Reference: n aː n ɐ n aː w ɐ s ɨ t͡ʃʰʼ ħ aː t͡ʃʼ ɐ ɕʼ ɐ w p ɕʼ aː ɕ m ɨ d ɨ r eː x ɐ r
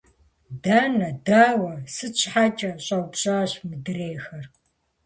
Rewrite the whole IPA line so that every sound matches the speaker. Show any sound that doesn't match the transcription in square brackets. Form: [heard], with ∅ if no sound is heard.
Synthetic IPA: [d] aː n ɐ [d] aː w ɐ s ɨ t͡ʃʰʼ ħ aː t͡ʃʼ ɐ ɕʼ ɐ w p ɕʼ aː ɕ m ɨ d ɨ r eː x ɐ r